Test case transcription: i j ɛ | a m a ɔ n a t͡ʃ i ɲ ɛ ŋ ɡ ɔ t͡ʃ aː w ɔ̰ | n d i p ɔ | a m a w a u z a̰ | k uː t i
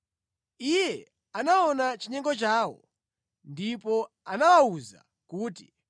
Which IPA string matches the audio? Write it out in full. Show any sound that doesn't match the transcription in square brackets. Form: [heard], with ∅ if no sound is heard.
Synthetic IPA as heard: i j ɛ | a [n] a ɔ n a t͡ʃ i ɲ ɛ ŋ ɡ ɔ t͡ʃ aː w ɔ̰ | n d i p ɔ | a [n] a w a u z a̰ | k uː t i